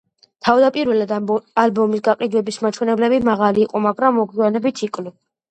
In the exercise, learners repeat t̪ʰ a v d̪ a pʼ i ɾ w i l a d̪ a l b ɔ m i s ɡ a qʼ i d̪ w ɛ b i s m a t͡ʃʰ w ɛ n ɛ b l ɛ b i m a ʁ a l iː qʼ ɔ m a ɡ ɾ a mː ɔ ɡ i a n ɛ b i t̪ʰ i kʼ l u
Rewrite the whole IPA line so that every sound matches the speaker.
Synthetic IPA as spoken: t̪ʰ a v d̪ a pʼ i ɾ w ɛ l a d̪ a l b ɔ m i s ɡ a qʼ i d̪ w ɛ b i s m a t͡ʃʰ w ɛ n ɛ b l ɛ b i m a ʁ a l iː qʼ ɔ m a ɡ ɾ a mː ɔ ɡ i a n ɛ b i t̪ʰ i kʼ l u